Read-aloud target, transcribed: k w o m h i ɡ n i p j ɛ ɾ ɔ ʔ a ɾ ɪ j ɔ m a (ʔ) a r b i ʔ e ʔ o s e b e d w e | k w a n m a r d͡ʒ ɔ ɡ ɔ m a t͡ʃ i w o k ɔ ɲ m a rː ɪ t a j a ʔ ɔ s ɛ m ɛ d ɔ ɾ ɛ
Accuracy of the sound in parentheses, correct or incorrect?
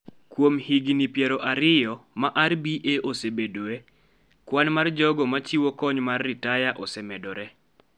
correct